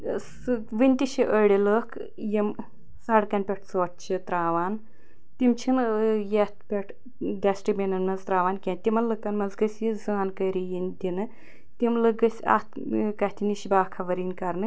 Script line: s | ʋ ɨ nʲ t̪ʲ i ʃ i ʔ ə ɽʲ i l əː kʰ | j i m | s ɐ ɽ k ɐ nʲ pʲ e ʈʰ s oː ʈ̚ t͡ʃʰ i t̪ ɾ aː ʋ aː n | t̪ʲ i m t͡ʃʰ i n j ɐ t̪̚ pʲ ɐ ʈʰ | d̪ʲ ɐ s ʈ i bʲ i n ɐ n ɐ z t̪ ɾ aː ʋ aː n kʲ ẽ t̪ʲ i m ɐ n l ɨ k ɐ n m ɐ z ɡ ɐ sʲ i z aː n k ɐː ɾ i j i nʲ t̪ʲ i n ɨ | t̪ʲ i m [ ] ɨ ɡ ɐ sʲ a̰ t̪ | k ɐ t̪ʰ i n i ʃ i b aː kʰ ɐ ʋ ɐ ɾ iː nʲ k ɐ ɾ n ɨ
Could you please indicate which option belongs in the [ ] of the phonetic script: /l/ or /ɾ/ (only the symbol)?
l